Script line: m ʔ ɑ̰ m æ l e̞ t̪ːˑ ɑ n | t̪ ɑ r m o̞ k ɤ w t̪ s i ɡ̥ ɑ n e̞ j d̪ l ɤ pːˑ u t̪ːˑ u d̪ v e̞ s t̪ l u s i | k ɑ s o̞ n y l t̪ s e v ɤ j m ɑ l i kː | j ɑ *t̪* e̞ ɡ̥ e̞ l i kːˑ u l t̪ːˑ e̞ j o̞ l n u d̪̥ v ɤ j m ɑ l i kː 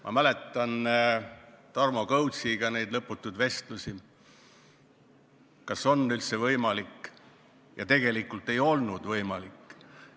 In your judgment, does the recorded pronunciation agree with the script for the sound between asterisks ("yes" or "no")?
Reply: yes